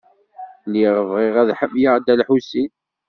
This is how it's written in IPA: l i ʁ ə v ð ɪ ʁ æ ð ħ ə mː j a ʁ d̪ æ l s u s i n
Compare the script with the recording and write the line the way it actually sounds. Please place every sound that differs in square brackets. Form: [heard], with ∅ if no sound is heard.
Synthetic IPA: l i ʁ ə v [ʁ] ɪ ʁ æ ð ħ ə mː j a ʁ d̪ æ l [ħ] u s i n